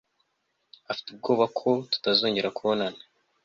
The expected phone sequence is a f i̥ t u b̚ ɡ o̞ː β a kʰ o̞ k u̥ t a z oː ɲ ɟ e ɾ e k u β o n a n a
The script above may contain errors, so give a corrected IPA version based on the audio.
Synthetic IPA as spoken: a f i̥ t u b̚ ɡ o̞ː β a kʰ o̞ t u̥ t a z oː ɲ ɟ e ɾ a k u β o n a n a